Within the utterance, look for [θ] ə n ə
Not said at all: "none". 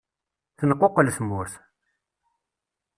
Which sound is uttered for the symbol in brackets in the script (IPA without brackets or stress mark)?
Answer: θ